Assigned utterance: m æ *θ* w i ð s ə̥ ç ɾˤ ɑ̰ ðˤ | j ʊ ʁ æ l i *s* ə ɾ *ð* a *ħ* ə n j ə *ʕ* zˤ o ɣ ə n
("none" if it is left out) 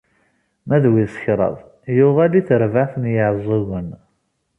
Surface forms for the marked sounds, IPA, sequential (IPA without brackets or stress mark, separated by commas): ð, θ, v, θ, ʕ